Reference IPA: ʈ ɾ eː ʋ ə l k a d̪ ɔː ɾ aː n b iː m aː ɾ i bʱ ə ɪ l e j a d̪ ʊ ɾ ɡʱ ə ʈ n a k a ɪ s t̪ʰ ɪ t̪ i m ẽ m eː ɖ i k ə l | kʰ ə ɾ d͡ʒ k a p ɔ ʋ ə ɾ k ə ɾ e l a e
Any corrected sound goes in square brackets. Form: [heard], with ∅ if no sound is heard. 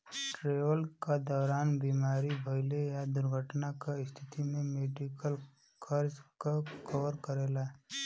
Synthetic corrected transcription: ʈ ɾ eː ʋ ə l k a d̪ ɔː ɾ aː n b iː m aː ɾ i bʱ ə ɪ l e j a d̪ ʊ ɾ ɡʱ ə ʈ n a k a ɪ s t̪ʰ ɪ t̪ i m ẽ m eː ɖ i k ə l | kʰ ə ɾ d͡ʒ k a [k] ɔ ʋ ə ɾ k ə ɾ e l a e